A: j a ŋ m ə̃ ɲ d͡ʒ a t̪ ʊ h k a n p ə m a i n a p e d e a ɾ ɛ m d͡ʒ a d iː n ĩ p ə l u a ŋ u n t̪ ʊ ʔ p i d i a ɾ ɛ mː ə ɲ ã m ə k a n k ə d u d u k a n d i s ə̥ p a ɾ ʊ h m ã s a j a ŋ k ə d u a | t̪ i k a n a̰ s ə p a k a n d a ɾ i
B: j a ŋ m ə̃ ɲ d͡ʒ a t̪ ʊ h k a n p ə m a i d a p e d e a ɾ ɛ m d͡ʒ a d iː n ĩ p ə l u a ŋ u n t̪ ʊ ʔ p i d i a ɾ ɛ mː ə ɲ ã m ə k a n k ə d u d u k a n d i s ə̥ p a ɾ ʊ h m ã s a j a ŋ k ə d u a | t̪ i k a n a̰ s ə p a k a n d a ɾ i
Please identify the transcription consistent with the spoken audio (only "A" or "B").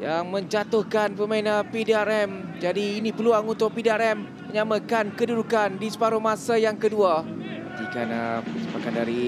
A